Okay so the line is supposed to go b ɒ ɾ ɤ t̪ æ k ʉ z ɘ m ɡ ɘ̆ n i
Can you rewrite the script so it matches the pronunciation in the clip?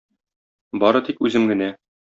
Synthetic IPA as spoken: b ɒ ɾ ɤ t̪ i k ʉ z ɘ m ɡ ɘ̆ n æ